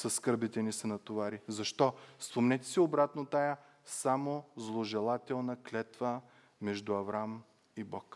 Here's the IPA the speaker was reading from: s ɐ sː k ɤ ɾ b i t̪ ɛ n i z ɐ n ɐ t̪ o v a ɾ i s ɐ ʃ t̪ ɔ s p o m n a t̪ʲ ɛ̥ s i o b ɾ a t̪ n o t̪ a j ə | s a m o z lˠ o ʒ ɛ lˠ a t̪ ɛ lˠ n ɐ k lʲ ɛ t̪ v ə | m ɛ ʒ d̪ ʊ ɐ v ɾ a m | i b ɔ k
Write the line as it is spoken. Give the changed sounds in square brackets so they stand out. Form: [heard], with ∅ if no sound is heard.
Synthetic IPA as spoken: s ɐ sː k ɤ ɾ b i t̪ ɛ n i [s] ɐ n ɐ t̪ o v a ɾ i [z] ɐ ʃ t̪ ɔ s p o m n [ɛ] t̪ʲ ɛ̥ s i o b ɾ a t̪ n o t̪ a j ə | s a m o z lˠ o ʒ ɛ lˠ a t̪ ɛ lˠ n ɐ k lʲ ɛ t̪ v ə | m ɛ ʒ d̪ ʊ ɐ v ɾ a m | i b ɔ k